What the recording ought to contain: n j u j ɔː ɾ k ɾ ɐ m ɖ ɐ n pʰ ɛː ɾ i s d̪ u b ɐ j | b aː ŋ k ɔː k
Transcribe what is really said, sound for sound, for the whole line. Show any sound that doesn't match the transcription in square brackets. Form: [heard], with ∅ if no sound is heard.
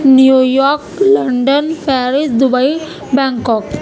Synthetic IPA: n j u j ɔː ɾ k [l] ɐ [ɳ] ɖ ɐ n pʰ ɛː ɾ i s d̪ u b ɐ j | b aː ŋ k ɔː k

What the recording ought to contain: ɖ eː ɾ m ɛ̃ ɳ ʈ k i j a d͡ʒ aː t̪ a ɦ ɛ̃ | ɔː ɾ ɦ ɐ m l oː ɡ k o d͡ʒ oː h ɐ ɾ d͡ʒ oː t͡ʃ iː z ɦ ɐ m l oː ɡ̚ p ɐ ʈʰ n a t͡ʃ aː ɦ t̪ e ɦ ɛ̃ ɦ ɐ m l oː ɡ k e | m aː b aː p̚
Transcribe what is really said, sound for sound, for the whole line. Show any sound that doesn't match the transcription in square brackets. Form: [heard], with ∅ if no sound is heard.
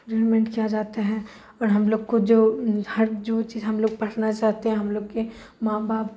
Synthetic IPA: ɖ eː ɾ m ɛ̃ ɳ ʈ k i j a d͡ʒ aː t̪ a ɦ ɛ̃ | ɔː ɾ ɦ ɐ m l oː ɡ k o d͡ʒ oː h ɐ ɾ d͡ʒ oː t͡ʃ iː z ɦ ɐ m l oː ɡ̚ p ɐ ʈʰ n a t͡ʃ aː ɦ t̪ e ɦ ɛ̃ ɦ ɐ m l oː ɡ k e | m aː b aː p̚

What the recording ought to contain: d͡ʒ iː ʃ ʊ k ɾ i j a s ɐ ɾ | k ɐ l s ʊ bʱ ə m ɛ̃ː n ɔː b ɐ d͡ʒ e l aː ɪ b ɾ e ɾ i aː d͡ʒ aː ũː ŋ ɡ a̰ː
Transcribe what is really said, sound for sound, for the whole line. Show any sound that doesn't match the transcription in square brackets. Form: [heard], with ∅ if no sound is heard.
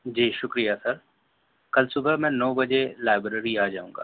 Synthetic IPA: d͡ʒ iː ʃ ʊ k ɾ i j a s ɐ ɾ | k ɐ l s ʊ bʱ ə m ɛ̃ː n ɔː b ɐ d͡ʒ e l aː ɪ b ɾ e ɾ i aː d͡ʒ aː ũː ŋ ɡ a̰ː

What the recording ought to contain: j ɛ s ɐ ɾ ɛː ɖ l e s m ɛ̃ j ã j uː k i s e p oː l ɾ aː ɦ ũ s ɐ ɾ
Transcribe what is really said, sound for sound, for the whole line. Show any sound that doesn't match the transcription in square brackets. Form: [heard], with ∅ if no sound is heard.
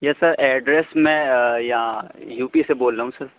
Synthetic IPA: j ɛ s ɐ ɾ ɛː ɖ [ɾ] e s m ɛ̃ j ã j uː [p] i s e [b] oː l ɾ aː ɦ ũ s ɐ ɾ

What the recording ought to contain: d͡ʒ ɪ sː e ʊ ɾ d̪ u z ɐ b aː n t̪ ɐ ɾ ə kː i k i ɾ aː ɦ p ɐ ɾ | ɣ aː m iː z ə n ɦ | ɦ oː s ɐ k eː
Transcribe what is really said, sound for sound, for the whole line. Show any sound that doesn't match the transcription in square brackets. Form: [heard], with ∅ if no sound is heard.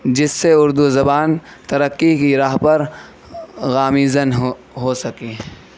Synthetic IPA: d͡ʒ ɪ sː e ʊ ɾ d̪ u z ɐ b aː n t̪ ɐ ɾ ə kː i k i ɾ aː ɦ p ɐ ɾ | ɣ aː m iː z ə n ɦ | ɦ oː s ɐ k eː

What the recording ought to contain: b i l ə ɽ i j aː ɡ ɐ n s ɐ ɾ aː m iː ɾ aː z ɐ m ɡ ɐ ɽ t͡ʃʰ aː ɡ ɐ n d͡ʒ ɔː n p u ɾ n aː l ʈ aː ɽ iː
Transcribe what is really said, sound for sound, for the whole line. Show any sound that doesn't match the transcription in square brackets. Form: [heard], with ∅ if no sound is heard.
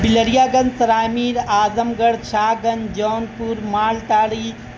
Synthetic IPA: b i l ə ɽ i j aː ɡ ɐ n s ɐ ɾ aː m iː ɾ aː z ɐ m ɡ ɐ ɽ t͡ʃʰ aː ɡ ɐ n d͡ʒ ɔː n p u ɾ [m] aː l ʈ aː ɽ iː

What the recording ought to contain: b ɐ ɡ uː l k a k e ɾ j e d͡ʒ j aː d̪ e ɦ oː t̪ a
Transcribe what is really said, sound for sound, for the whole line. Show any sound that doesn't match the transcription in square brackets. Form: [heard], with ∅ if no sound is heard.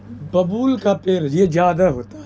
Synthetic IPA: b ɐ [b] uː l k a [p] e ɾ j e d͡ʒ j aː d̪ [a] ɦ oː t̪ a

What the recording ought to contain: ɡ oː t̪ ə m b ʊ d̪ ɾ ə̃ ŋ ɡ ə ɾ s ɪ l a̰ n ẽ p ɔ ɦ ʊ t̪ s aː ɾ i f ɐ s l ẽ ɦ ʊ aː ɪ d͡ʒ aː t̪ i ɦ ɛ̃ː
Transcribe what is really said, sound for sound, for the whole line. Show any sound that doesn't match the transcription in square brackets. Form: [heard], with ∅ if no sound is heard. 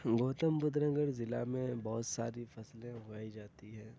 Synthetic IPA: ɡ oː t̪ ə m b ʊ d̪ ɾ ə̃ ŋ ɡ ə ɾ [z] ɪ l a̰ [m] ẽ [b] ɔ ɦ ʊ t̪ s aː ɾ i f ɐ s l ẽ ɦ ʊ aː [i] d͡ʒ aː t̪ i ɦ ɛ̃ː

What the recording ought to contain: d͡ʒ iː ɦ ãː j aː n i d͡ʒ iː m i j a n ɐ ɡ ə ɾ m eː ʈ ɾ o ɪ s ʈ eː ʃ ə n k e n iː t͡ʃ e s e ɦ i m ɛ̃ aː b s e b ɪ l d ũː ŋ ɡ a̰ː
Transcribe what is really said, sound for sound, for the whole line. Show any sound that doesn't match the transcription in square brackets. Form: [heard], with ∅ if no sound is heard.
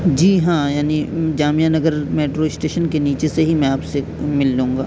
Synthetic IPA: d͡ʒ iː ɦ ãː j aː n i d͡ʒ [aː] m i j a n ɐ ɡ ə ɾ m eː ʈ ɾ o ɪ s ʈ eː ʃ ə n k e n iː t͡ʃ e s e ɦ i m ɛ̃ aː [p] s e [m] ɪ l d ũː ŋ ɡ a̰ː

